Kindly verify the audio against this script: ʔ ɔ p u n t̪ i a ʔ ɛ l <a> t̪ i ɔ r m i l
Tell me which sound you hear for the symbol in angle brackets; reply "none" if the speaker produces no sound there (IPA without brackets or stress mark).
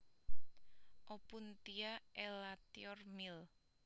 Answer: a